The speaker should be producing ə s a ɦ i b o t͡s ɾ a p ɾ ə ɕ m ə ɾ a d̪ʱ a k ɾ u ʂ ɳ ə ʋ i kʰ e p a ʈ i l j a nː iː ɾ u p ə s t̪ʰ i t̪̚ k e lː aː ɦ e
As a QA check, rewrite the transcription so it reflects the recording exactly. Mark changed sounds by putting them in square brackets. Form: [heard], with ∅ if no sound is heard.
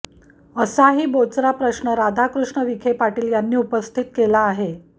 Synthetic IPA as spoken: ə s a ɦ [iː] b o t͡s ɾ a p ɾ ə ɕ [ɳ] ə ɾ a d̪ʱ a k ɾ u ʂ ɳ ə ʋ i kʰ e p a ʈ [iː] l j a nː iː [∅] u p ə s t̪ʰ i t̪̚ k e [l] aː ɦ e